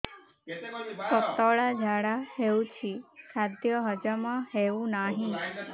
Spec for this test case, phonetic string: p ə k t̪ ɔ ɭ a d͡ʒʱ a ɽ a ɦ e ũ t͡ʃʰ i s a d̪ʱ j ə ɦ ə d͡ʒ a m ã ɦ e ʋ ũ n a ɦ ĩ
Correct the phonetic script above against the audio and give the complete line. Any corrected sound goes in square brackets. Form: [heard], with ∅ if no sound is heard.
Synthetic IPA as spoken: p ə k t̪ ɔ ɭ a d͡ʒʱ a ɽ a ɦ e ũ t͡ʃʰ i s a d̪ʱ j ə ɦ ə d͡ʒ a m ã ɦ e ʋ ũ n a ɦ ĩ